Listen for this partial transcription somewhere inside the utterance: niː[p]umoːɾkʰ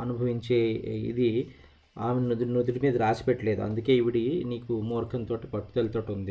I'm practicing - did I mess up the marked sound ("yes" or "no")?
yes